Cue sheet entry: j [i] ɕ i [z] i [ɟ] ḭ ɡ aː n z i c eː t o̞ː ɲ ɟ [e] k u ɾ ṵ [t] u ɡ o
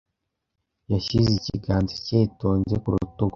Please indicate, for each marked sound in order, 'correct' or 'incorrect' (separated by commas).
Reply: incorrect, correct, incorrect, correct, correct